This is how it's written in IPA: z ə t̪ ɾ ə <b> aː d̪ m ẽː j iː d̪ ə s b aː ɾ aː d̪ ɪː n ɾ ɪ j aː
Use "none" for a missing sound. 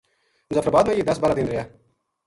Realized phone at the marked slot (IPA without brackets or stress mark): b